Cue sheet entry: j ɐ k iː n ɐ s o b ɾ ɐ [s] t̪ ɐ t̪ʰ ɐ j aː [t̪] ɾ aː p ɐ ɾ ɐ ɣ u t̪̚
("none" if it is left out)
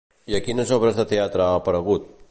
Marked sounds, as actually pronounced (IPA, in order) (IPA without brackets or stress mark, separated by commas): s, t̪